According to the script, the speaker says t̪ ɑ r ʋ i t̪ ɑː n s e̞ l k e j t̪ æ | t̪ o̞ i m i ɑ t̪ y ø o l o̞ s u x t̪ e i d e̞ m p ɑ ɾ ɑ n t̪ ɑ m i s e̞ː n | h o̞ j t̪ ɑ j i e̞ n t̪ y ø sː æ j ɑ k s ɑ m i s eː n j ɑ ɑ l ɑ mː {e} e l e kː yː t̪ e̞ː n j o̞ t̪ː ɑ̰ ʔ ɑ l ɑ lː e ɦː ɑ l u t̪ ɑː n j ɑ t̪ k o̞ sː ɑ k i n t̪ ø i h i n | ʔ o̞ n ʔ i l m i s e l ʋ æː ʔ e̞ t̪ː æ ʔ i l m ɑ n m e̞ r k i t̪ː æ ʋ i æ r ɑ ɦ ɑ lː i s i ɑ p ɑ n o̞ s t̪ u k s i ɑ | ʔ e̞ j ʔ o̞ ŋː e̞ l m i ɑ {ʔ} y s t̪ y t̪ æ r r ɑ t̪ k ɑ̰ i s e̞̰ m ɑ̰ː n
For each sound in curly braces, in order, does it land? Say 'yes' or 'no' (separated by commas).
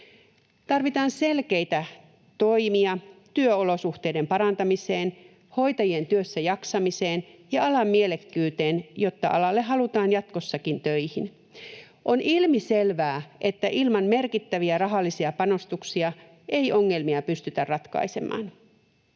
no, no